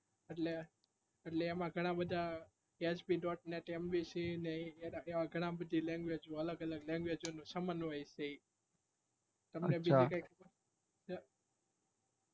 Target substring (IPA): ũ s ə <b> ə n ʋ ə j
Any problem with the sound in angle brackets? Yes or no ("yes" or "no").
yes